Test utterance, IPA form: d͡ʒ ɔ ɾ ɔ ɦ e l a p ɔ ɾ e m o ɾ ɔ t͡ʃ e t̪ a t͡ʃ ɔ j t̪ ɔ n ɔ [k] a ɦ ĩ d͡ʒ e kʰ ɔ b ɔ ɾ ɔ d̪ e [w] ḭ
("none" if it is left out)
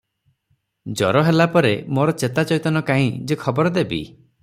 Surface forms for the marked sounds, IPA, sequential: k, b

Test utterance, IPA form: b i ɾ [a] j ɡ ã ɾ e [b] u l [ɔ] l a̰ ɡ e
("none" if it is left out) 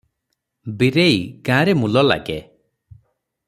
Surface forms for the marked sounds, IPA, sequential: e, m, ɔ

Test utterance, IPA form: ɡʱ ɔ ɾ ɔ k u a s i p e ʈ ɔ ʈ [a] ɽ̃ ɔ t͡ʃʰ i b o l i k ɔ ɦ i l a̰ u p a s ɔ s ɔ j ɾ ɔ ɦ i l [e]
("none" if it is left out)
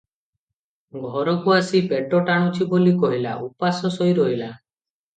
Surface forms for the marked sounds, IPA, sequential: a, a

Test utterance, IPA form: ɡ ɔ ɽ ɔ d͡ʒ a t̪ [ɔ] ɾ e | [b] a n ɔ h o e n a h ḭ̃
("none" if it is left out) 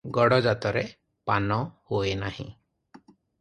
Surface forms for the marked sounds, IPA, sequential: ɔ, p

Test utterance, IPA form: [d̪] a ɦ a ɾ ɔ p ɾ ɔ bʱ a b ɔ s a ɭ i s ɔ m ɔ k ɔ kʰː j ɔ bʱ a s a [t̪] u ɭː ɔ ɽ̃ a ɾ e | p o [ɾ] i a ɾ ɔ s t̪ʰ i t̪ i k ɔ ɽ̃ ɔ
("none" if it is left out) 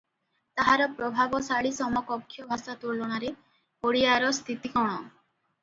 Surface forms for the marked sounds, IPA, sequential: t̪, t̪, ɽ

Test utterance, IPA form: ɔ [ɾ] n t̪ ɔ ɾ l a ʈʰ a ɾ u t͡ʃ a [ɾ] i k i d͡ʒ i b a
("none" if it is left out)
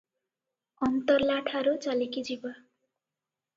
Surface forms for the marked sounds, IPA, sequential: none, l

